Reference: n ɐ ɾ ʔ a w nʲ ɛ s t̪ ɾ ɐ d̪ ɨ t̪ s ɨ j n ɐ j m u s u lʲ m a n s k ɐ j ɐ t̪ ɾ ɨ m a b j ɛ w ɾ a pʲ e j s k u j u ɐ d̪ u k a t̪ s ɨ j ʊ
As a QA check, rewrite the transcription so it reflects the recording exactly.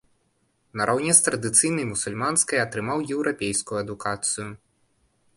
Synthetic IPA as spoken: n ɐ ɾ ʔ a w nʲ ɛ s t̪ ɾ ɐ d̪ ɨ t̪ s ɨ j n ɐ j m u s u lʲ m a n s k ɐ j ɐ t̪ ɾ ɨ m a w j ɛ w ɾ a pʲ e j s k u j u ɐ d̪ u k a t̪ s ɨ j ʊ